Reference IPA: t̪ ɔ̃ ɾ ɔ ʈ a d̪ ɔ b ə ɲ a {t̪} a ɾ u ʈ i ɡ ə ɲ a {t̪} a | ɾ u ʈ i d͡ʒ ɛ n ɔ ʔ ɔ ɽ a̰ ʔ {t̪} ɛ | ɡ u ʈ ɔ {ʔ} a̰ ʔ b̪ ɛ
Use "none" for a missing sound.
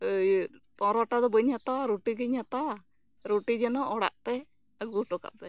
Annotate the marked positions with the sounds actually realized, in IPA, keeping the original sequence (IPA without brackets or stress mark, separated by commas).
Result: t̪, t̪, t̪, k